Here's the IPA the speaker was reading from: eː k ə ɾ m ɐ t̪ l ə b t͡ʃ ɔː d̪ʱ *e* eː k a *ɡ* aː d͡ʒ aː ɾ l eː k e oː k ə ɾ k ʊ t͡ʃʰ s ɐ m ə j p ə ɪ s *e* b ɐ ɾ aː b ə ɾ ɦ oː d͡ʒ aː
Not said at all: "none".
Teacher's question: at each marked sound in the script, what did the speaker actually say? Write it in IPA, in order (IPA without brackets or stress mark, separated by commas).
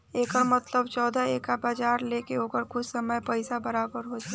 a, b, a